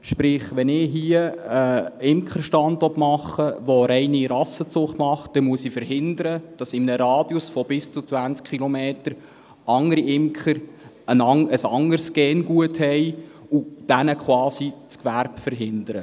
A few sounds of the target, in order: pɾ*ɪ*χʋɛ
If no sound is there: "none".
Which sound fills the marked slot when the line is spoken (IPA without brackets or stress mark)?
ɪ